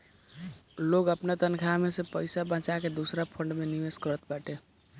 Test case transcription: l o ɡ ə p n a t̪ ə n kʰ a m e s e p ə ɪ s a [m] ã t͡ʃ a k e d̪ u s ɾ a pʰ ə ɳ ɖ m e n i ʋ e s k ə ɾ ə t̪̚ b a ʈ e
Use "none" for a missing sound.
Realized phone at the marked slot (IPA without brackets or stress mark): b